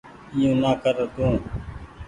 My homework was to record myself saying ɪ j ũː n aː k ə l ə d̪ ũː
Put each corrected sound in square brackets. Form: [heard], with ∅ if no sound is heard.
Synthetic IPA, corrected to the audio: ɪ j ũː n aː k ə [ɾ] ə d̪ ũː